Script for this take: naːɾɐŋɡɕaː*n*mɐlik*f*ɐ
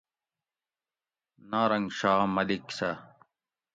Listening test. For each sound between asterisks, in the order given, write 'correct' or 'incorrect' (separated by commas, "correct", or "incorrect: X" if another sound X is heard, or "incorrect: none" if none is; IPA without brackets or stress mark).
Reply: incorrect: none, incorrect: s